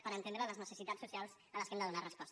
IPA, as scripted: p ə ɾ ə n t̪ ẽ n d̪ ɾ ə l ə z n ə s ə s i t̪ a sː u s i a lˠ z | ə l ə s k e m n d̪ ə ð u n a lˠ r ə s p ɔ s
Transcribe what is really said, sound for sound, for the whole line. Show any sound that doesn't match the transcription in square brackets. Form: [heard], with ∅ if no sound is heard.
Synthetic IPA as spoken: p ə ɾ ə n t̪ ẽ n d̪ ɾ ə l ə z n ə s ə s i t̪ a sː u s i a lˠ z | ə l ə s k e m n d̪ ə ð u n a [∅] r ə s p ɔ s